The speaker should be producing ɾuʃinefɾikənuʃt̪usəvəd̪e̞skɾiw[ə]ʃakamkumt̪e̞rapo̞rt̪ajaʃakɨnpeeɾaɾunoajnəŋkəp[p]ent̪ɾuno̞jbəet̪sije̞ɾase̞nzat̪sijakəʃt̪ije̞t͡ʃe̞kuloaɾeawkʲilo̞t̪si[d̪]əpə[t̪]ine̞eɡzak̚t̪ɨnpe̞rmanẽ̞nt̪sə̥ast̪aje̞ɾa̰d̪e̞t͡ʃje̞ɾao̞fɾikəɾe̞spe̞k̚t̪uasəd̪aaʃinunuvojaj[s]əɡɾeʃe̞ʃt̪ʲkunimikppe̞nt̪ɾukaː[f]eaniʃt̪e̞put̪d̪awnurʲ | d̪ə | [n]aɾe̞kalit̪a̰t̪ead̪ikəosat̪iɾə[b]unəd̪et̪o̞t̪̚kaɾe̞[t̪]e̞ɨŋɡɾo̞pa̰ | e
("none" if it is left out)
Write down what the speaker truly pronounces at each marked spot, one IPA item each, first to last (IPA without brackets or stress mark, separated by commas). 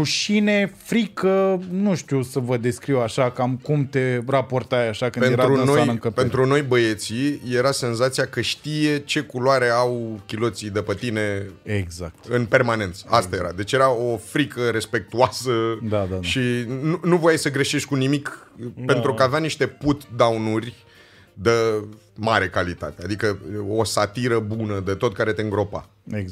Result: a, p, d̪, t̪, s, v, m, b, t̪